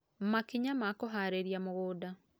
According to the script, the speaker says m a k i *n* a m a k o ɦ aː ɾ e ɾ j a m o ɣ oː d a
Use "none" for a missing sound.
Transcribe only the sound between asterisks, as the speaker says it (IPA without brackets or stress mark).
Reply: ɲ